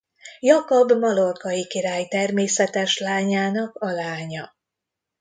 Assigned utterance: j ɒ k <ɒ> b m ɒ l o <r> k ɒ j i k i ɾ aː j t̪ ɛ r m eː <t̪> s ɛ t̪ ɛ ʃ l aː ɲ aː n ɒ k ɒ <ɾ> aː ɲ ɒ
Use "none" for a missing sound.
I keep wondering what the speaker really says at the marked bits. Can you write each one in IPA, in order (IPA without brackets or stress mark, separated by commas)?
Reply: o, r, none, l